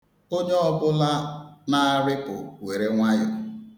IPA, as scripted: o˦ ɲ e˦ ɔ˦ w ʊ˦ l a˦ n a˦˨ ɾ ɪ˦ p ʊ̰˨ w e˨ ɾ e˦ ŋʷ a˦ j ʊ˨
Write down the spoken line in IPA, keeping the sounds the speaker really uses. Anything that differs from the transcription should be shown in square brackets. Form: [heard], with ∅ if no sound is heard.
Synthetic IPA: o˦ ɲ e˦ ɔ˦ [b] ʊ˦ l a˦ n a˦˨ ɾ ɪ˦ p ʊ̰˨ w e˨ ɾ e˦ ŋʷ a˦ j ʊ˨

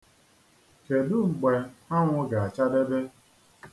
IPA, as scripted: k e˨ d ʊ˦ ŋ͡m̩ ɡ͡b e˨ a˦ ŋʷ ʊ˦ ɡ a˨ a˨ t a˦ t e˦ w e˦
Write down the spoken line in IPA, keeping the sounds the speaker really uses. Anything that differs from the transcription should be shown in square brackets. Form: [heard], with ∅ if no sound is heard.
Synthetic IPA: k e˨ d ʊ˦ ŋ͡m̩ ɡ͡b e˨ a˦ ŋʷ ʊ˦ ɡ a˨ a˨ [t͡ʃ] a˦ [d] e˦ [b] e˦

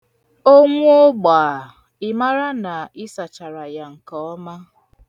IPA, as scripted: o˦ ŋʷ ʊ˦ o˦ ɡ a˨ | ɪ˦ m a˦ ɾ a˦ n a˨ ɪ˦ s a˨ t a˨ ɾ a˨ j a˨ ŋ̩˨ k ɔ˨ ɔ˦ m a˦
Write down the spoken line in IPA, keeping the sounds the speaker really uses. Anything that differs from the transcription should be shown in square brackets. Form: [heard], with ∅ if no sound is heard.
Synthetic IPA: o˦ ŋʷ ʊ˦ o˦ [ɡ͡b] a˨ | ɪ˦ m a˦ ɾ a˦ n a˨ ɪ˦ s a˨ [t͡ʃ] a˨ ɾ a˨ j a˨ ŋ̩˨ k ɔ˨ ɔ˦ m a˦

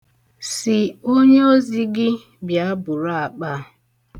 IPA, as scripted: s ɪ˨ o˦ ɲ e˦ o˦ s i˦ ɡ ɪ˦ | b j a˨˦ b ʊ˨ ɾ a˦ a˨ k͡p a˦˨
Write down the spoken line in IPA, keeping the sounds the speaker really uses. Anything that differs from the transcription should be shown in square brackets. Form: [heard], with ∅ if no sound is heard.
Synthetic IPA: s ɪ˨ o˦ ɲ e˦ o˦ [z] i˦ ɡ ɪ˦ | b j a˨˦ b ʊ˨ ɾ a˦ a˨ k͡p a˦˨

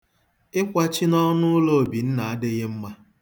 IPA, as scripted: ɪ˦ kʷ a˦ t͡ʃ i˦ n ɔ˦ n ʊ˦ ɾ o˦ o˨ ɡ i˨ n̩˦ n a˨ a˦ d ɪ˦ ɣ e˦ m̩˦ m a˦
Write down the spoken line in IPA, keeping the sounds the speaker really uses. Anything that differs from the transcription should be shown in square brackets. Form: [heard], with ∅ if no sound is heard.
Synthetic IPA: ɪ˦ kʷ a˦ t͡ʃ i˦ n ɔ˦ n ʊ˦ [l] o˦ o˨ [b] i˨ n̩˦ n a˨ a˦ d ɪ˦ ɣ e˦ m̩˦ m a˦

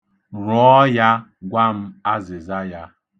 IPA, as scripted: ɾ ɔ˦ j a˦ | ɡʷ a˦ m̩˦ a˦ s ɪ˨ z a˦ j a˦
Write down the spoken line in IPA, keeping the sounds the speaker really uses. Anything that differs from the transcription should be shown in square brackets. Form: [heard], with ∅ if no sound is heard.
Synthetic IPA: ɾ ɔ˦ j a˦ | ɡʷ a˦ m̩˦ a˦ [z] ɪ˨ z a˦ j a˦

